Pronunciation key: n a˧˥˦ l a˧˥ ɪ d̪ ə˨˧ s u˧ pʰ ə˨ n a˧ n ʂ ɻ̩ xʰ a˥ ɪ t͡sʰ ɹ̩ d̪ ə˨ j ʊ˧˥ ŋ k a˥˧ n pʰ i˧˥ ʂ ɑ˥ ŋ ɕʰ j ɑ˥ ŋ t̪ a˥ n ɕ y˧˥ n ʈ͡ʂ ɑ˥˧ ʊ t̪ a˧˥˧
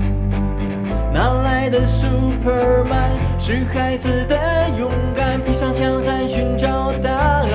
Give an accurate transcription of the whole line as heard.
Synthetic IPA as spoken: n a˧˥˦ l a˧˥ ɪ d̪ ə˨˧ s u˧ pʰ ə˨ m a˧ n ʂ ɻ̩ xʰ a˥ ɪ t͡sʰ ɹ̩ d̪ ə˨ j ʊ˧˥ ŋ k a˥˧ n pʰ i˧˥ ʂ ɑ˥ ŋ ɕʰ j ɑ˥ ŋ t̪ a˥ n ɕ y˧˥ n ʈ͡ʂ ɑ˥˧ ʊ t̪ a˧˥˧